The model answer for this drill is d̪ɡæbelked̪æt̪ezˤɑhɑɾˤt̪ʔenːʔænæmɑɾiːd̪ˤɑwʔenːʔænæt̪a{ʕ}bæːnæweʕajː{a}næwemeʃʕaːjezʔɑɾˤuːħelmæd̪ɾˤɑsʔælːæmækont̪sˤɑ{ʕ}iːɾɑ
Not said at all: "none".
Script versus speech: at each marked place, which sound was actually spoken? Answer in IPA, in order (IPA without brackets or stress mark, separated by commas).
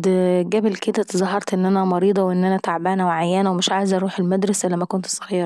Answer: ʕ, æ, ɣ